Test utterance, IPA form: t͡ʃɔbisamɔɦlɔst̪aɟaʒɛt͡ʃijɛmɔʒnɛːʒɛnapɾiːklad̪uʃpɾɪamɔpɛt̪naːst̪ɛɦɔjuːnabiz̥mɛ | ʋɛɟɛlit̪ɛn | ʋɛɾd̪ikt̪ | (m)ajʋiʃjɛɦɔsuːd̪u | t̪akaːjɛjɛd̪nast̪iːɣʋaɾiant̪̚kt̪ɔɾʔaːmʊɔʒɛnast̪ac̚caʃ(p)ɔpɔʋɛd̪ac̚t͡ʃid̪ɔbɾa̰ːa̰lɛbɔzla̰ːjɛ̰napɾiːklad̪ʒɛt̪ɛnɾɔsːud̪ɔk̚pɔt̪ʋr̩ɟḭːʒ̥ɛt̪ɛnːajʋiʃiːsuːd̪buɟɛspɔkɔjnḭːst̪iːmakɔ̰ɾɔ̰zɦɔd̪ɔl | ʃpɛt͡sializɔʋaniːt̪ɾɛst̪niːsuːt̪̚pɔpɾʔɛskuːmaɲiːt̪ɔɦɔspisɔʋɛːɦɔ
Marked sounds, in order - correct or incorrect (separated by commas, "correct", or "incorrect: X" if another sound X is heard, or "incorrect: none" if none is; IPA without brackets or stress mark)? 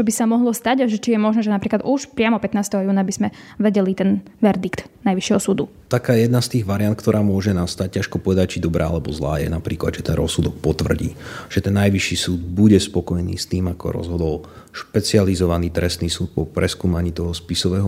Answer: incorrect: n, incorrect: k